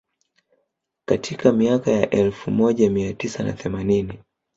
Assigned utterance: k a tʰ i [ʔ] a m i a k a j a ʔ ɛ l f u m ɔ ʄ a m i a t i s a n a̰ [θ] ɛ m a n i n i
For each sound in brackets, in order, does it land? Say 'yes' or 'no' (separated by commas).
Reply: no, yes